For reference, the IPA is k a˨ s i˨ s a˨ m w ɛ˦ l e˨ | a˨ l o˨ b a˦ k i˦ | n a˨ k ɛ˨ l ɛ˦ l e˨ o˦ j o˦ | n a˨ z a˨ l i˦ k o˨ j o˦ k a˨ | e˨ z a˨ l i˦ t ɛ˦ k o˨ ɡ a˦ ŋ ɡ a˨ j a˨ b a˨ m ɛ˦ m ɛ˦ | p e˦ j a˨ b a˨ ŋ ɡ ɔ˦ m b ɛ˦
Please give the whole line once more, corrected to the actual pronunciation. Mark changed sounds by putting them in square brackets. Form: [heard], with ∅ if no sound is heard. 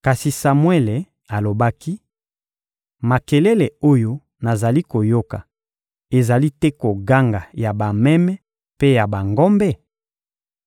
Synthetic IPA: k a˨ s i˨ s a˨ m w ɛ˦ l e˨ | a˨ l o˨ b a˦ k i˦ | [m] a˨ k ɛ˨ l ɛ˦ l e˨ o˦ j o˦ | n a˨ z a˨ l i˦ k o˨ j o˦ k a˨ | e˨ z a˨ l i˦ t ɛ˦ k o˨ ɡ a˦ ŋ ɡ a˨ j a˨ b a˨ m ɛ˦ m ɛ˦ | p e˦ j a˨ b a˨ ŋ ɡ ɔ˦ m b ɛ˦